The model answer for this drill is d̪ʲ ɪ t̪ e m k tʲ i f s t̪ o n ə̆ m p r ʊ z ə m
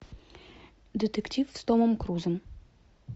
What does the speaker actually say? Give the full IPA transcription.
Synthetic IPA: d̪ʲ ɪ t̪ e k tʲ i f s t̪ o m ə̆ m k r u z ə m